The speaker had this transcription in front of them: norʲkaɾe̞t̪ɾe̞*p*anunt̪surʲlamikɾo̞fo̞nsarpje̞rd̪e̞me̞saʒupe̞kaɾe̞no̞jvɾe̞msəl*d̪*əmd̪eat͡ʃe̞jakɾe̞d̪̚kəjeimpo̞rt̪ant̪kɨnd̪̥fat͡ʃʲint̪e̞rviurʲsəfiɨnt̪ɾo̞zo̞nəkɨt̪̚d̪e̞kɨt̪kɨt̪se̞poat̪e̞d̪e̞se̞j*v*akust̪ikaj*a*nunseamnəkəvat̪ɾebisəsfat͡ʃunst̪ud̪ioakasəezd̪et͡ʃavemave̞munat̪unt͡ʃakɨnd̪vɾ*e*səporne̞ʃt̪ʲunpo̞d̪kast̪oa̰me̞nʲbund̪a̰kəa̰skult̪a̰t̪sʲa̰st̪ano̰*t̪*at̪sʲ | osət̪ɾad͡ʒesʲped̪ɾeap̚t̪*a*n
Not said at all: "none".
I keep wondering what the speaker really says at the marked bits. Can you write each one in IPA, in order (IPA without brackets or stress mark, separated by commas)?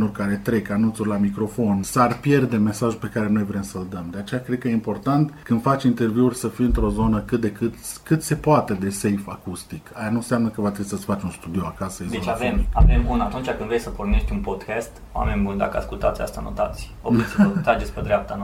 k, d̪, f, a, e, t̪, a